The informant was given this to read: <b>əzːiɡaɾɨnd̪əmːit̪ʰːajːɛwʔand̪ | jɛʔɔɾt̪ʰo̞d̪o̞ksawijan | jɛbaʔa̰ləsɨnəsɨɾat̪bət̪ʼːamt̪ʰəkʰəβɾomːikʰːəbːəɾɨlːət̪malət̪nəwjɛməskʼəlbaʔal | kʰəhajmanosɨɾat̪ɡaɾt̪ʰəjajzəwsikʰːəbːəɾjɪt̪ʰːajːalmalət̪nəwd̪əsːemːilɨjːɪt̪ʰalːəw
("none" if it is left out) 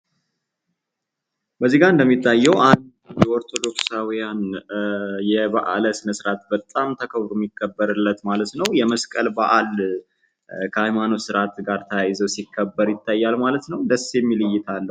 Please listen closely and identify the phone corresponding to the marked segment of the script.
b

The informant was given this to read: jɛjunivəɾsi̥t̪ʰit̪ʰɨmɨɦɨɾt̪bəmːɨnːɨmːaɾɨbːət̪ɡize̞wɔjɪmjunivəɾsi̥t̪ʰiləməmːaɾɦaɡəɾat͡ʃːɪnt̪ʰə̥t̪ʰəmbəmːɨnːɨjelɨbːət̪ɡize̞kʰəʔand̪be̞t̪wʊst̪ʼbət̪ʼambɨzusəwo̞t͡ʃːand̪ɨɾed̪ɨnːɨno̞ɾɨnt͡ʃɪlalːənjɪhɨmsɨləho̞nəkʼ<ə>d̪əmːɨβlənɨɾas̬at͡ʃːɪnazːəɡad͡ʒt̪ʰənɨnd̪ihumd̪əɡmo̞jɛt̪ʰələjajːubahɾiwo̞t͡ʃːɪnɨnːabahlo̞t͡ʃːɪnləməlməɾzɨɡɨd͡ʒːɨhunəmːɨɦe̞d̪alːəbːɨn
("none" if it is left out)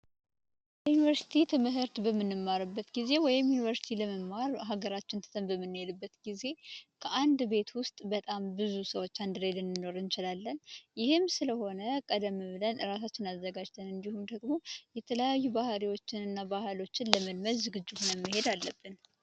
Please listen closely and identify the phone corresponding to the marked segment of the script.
ə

